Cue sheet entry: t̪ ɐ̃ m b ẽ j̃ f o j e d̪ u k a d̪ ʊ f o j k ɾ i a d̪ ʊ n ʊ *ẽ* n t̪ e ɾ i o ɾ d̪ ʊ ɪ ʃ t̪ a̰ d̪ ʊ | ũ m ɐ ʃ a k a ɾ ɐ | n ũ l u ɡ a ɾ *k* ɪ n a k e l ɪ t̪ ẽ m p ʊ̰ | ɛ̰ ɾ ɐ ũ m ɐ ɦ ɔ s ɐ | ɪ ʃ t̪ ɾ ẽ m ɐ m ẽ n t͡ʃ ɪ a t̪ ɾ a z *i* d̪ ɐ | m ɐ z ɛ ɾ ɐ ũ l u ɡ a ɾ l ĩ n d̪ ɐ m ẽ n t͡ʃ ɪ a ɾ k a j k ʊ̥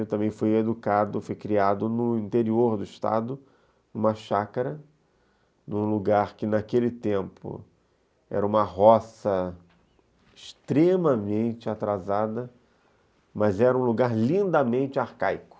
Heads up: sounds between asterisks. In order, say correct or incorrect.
incorrect, correct, incorrect

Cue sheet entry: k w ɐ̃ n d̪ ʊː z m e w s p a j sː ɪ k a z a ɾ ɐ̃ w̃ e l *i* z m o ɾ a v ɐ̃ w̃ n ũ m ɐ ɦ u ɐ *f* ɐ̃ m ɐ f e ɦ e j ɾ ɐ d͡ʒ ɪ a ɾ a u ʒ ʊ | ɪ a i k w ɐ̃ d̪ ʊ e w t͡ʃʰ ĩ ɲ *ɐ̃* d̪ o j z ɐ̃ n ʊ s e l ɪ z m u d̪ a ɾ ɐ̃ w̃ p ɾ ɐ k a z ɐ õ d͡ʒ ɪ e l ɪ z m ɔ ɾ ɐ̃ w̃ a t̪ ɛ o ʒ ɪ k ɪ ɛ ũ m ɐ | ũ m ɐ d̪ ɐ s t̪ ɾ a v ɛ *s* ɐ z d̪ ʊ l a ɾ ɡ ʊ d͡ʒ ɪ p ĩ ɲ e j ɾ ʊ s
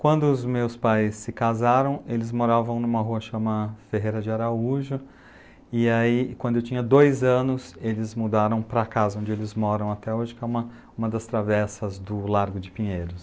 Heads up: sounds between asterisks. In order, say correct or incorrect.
incorrect, incorrect, incorrect, correct

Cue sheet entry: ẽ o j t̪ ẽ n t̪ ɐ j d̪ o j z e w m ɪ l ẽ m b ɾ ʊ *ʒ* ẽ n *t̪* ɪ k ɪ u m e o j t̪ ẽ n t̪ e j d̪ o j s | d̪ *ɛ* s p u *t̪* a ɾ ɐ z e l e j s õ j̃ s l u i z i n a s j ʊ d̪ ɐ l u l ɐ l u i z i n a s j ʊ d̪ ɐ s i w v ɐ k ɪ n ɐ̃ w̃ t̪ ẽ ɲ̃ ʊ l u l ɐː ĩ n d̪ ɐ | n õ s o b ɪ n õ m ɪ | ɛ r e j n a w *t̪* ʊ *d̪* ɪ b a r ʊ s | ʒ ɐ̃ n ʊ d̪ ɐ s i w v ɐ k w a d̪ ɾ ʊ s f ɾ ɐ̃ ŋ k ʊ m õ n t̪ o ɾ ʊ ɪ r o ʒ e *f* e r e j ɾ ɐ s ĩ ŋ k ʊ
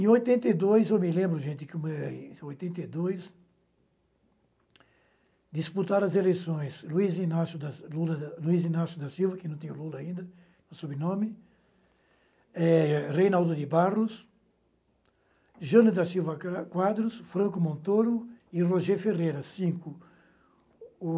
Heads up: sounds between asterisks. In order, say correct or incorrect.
correct, correct, incorrect, correct, incorrect, correct, correct

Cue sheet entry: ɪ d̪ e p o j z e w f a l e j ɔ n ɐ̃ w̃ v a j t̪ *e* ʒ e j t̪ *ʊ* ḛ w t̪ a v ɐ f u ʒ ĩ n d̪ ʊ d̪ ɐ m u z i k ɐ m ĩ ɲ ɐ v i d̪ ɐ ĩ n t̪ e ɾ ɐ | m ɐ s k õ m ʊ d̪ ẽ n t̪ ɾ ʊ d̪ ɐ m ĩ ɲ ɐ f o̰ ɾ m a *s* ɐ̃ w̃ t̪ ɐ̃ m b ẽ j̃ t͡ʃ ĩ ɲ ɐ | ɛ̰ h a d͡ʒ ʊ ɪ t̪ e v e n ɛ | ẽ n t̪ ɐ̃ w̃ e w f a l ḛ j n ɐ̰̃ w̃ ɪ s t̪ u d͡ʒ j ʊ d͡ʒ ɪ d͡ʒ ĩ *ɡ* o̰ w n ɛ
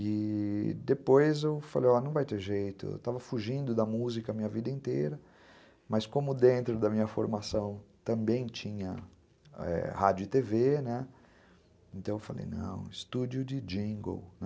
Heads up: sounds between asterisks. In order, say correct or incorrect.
correct, correct, correct, correct

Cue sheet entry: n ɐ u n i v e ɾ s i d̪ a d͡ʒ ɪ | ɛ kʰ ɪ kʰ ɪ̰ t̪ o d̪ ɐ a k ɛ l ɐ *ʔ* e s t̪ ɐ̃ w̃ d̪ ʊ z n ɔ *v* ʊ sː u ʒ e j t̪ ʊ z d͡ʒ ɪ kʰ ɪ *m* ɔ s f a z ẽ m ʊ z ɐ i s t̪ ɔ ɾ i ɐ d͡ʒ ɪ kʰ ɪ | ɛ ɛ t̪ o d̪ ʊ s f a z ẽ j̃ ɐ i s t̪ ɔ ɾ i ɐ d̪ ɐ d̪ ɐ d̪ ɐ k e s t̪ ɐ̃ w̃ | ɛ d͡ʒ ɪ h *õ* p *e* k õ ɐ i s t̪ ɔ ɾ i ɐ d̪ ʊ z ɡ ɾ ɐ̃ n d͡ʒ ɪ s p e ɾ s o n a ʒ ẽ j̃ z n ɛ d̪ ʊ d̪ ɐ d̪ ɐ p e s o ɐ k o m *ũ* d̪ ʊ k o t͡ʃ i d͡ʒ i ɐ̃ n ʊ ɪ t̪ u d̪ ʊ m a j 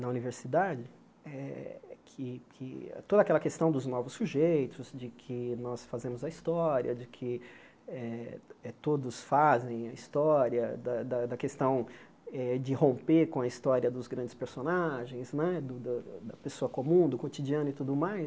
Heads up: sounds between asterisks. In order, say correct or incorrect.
incorrect, correct, incorrect, correct, correct, correct

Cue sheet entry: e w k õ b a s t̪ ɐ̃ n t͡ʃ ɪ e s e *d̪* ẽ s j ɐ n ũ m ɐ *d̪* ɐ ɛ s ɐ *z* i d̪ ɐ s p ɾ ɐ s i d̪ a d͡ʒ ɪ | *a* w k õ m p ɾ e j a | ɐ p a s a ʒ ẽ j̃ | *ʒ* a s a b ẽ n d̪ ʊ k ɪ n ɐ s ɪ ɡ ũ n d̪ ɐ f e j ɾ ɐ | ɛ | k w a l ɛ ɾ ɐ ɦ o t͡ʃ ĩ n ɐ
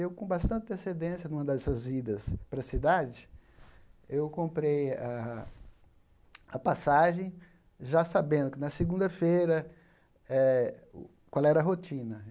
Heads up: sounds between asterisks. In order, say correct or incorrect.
correct, correct, correct, incorrect, correct

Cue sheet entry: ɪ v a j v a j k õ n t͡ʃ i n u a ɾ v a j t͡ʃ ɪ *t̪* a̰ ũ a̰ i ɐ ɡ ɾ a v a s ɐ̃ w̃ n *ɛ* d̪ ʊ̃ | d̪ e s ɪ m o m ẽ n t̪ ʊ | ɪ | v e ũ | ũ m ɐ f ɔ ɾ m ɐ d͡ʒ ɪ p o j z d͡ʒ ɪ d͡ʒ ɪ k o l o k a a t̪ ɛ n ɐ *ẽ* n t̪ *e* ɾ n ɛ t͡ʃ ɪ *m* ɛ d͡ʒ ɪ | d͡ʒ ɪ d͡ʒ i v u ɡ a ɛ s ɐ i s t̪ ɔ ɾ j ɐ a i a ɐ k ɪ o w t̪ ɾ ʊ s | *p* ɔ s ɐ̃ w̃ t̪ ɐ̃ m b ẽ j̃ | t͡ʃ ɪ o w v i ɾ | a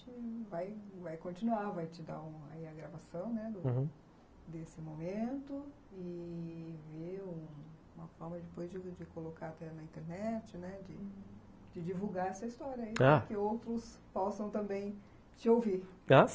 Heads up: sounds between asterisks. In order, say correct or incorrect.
incorrect, correct, incorrect, correct, incorrect, correct

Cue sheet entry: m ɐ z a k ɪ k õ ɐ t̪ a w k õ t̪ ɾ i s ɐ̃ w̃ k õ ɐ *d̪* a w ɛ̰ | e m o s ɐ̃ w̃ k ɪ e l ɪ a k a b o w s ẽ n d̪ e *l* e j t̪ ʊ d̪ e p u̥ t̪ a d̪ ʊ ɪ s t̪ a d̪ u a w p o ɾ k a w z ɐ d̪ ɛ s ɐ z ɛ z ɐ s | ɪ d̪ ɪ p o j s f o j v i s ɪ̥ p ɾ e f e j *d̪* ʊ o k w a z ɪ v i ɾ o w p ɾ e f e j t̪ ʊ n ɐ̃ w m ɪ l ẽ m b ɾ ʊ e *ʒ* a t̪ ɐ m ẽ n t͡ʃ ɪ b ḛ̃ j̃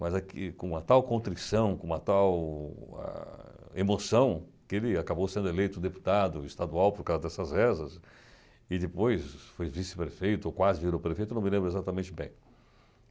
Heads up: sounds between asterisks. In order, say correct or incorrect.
incorrect, correct, incorrect, incorrect

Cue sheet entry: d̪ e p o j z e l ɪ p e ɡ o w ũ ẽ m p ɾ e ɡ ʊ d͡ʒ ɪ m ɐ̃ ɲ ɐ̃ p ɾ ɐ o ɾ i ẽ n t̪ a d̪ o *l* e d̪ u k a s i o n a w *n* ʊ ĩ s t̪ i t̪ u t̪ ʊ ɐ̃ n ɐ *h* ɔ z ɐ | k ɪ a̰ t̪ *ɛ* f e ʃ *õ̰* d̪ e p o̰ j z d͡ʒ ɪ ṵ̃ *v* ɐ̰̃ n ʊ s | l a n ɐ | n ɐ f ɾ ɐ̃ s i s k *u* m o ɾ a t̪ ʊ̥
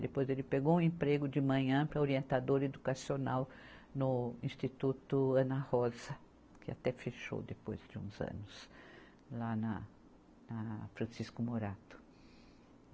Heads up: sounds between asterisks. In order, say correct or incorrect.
incorrect, correct, correct, correct, incorrect, incorrect, incorrect

